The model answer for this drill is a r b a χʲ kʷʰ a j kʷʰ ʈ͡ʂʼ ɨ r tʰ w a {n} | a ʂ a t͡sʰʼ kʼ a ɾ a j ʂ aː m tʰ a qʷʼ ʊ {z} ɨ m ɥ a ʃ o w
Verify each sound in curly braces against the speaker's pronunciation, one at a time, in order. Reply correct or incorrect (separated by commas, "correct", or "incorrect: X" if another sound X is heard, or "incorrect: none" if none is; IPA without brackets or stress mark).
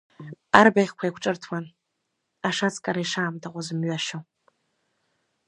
correct, correct